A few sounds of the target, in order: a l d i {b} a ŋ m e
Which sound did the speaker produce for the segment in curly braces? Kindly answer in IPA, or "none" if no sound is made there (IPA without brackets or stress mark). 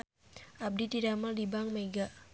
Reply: b